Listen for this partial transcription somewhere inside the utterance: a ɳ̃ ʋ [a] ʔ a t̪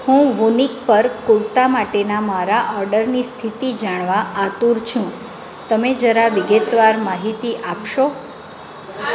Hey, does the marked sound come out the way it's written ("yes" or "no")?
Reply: yes